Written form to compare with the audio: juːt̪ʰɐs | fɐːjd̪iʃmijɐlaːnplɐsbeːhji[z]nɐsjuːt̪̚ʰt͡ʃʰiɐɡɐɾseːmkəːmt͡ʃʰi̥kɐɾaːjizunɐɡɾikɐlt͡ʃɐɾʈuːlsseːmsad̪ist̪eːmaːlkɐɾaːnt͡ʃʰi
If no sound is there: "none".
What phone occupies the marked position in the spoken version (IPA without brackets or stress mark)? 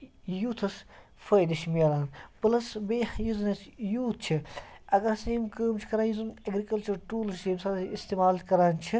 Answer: z